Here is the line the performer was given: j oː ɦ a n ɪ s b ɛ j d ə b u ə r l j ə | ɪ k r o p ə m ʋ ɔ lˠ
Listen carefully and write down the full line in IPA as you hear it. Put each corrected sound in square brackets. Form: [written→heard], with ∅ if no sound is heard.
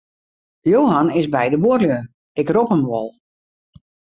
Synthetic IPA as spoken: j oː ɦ a n ɪ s b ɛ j d ə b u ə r l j ə | ɪ k r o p ə m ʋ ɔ lˠ